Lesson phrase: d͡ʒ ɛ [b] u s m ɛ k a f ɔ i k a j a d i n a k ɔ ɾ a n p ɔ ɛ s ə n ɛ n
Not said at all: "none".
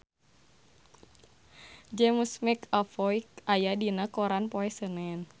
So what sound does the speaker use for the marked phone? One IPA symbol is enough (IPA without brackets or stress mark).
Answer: m